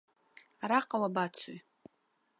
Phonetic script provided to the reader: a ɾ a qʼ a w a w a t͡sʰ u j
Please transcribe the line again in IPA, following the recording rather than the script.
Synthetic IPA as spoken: a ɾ a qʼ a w a b a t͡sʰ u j

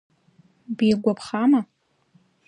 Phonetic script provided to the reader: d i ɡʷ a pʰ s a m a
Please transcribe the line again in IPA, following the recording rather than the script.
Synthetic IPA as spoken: b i ɡʷ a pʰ χ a m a

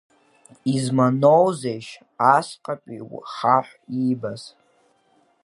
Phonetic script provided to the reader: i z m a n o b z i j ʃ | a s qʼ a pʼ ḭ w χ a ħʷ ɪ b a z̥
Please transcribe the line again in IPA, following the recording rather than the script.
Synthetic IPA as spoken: i z m a n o w z e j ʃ | a s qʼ a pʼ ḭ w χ a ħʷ i b a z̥

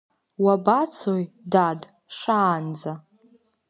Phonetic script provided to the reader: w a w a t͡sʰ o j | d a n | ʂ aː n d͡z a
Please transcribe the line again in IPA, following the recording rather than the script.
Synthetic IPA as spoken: w a b a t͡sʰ o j | d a d | ʂ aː n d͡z a

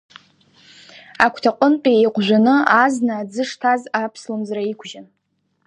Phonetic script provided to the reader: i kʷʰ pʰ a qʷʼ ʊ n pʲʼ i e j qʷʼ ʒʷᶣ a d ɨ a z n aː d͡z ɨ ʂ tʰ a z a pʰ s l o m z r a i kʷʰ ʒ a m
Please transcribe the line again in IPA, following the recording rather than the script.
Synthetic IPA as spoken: a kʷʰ tʰ a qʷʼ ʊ n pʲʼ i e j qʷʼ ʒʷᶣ a n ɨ a z n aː d͡z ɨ ʂ tʰ a z a pʰ s l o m z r a i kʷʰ ʒ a n

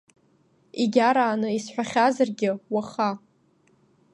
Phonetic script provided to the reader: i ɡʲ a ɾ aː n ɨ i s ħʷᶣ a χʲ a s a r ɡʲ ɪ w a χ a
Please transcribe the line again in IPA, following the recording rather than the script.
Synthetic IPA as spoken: i ɡʲ a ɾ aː n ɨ i s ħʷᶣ a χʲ a z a r ɡʲ ɪ w a χ a

